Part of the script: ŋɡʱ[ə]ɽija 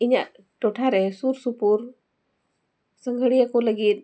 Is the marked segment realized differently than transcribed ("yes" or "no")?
no